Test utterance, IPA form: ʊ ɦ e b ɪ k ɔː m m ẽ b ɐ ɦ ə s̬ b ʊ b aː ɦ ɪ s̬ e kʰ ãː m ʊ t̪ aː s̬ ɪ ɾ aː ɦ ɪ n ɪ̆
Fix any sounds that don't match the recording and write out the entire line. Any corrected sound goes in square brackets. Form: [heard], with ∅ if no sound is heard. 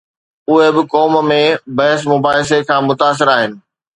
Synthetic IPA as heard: ʊ ɦ e b ɪ k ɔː m m ẽ b ɐ ɦ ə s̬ [m] ʊ b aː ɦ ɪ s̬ e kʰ ãː m ʊ t̪ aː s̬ ɪ ɾ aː ɦ ɪ n ɪ̆